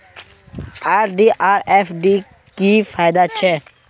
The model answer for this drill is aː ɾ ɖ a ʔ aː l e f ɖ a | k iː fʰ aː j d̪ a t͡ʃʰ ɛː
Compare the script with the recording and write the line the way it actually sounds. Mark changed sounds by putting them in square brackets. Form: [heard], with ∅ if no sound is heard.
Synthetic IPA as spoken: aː ɾ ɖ [i] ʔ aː [ɾ] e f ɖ [i] | k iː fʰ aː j d̪ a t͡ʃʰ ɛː